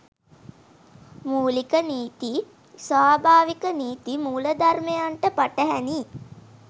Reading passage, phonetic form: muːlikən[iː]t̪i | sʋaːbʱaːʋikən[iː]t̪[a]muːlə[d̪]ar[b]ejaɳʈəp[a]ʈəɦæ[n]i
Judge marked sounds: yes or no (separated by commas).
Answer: yes, yes, no, yes, no, yes, yes